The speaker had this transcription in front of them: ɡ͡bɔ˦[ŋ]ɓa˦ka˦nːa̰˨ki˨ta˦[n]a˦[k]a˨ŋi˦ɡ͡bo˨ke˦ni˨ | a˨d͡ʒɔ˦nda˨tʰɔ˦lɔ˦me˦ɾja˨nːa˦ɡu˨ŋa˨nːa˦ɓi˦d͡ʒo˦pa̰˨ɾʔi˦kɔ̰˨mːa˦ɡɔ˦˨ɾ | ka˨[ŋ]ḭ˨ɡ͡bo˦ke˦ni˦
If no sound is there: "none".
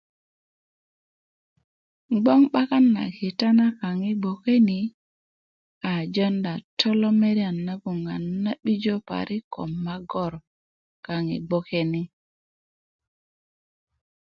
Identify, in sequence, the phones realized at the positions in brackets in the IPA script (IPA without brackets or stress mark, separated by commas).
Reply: ŋ, n, k, ŋ